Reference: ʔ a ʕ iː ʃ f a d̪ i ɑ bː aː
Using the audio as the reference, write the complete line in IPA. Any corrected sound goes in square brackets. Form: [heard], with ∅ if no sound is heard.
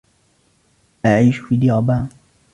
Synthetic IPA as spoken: ʔ a ʕ iː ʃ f [i] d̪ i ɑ [b] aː